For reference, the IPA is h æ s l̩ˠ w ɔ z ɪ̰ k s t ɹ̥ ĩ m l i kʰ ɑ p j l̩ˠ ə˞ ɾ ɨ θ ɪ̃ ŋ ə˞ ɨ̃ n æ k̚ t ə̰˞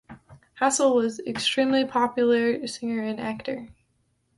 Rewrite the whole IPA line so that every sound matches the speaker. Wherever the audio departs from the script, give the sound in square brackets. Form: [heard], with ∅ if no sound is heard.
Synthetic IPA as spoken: h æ s l̩ˠ w [ʌ] z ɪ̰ k s t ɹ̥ ĩ m l i [pʰ] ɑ p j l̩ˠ ə˞ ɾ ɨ [s] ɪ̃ ŋ ə˞ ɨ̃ n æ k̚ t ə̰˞